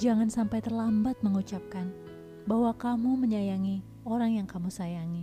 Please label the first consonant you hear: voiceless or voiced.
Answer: voiced